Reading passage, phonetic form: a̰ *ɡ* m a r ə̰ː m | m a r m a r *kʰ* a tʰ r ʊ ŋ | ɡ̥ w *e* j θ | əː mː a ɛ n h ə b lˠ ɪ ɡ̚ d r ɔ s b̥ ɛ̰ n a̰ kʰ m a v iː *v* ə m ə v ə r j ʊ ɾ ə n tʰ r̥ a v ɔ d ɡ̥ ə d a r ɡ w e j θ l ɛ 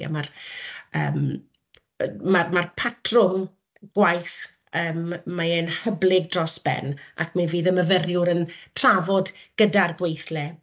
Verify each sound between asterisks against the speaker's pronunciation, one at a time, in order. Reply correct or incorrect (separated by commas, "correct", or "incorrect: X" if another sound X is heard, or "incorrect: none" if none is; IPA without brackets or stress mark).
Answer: incorrect: none, incorrect: pʰ, incorrect: a, incorrect: ð